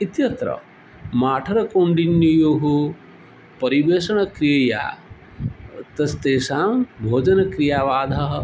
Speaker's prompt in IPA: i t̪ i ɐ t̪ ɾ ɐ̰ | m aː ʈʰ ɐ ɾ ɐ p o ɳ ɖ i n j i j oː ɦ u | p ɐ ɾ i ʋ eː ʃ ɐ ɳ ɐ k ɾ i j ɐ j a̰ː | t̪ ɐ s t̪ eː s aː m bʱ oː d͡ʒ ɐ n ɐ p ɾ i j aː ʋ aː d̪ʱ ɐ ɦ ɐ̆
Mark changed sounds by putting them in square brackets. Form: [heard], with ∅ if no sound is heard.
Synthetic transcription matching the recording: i t̪ [j] ɐ t̪ ɾ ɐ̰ | m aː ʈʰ ɐ ɾ ɐ [k] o ɳ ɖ i n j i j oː ɦ u | p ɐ ɾ i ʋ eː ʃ ɐ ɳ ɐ k ɾ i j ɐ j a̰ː | t̪ ɐ s t̪ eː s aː m bʱ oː d͡ʒ ɐ n ɐ [k] ɾ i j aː ʋ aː d̪ʱ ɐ ɦ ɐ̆